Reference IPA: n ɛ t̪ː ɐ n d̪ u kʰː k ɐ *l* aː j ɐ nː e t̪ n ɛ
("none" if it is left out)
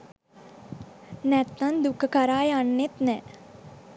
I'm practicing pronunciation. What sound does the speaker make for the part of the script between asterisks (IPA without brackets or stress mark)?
ɾ